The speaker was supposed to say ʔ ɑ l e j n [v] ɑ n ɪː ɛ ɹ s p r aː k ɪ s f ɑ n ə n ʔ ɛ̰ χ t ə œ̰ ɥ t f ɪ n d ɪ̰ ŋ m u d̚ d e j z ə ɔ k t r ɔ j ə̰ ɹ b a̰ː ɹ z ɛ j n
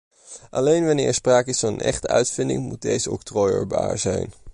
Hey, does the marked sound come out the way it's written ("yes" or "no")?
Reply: no